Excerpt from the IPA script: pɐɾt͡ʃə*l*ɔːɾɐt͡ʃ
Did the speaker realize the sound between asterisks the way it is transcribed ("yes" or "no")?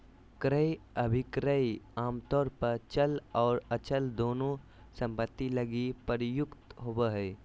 yes